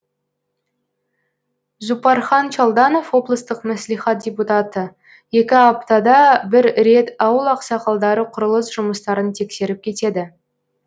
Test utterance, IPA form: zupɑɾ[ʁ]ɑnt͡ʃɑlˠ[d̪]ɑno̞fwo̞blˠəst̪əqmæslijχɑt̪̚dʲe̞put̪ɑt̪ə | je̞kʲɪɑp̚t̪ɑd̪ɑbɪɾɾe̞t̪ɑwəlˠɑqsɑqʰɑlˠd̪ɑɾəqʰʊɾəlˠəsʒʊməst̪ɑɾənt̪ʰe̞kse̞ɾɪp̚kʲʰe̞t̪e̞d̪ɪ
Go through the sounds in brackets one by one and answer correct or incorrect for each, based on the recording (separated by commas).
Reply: incorrect, correct